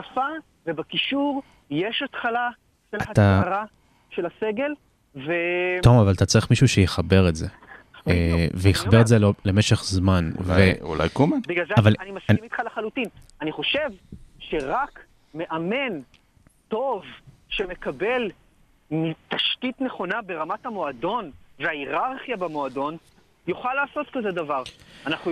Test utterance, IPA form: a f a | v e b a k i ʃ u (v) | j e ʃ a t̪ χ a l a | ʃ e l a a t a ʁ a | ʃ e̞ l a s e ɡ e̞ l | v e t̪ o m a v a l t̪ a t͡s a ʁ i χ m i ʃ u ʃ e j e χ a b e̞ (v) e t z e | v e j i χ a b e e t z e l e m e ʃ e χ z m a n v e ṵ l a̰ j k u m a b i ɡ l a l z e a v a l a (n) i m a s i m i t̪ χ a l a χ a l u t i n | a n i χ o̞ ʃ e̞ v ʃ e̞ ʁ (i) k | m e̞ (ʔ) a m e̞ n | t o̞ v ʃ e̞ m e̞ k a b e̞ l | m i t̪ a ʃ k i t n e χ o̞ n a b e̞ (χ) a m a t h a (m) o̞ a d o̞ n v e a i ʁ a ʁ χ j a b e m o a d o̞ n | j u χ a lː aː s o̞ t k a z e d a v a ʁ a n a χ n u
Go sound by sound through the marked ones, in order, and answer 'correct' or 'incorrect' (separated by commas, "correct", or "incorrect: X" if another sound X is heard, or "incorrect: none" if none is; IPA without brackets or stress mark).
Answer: incorrect: ʁ, incorrect: ʁ, correct, incorrect: a, correct, incorrect: ʁ, correct